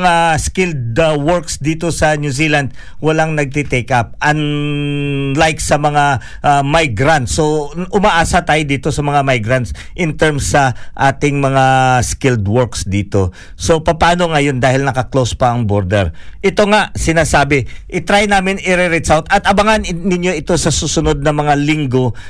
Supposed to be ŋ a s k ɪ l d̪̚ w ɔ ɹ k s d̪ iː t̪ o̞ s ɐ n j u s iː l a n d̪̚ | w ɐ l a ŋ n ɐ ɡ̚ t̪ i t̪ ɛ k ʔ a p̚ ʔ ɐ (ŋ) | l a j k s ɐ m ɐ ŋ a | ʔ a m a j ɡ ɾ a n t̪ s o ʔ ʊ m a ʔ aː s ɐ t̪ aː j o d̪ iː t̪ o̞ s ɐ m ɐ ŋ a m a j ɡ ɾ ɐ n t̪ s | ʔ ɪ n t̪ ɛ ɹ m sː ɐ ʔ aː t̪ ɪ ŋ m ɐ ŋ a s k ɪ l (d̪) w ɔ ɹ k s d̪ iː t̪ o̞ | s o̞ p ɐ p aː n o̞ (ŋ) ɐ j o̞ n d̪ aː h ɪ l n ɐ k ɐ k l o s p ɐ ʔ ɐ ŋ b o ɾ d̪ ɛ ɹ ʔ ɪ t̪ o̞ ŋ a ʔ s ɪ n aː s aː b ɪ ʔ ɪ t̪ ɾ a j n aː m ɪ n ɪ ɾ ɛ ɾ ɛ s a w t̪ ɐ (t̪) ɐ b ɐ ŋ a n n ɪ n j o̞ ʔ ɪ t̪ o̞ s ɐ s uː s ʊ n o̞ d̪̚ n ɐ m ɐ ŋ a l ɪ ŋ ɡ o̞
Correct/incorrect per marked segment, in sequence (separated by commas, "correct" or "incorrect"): incorrect, correct, correct, correct